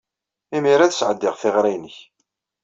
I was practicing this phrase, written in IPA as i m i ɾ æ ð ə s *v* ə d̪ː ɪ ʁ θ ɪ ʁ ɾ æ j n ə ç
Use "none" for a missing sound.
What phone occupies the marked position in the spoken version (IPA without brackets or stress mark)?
ʕ